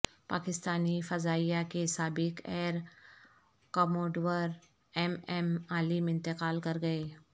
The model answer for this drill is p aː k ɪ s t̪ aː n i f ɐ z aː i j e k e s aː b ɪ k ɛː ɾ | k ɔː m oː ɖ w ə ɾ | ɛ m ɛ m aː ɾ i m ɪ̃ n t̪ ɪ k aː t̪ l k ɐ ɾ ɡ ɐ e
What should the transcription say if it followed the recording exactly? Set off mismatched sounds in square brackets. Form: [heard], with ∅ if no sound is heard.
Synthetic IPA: p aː k ɪ s t̪ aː n i f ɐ z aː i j [a] k e s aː b ɪ k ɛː ɾ | k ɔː m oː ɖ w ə ɾ | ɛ m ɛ m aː [l] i m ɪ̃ n t̪ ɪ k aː [∅] l k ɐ ɾ ɡ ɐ e